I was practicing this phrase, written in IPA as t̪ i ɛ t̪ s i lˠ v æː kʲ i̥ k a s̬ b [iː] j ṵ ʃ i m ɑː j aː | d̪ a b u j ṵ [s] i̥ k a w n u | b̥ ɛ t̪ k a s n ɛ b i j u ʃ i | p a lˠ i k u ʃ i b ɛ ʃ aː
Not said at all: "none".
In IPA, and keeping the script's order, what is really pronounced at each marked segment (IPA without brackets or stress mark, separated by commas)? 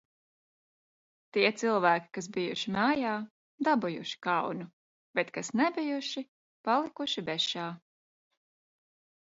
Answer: i, ʃ